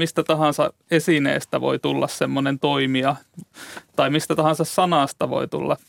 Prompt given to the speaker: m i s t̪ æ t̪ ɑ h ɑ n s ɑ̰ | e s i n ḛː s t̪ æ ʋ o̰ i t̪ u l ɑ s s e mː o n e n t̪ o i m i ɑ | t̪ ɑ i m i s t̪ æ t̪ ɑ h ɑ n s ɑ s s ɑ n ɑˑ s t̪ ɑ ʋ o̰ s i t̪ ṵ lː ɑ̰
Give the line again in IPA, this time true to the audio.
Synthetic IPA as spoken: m i s t̪ æ t̪ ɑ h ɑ n s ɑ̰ | e s i n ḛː s t̪ æ ʋ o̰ i t̪ u lː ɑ s s e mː o n e n t̪ o i m i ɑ | t̪ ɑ i m i s t̪ æ t̪ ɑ h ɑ n s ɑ s s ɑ n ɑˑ s t̪ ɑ ʋ o̰ i t̪ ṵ lː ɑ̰